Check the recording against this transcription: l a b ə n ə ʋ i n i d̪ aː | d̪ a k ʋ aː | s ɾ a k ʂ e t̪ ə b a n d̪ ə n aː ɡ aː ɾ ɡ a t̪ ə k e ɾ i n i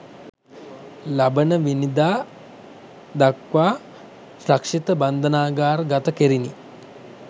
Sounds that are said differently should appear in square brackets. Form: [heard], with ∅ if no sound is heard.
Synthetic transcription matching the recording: l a b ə n ə ʋ i n i d̪ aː | d̪ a k ʋ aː | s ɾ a k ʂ [i] t̪ ə b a n d̪ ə n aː ɡ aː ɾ ɡ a t̪ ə k e ɾ i n i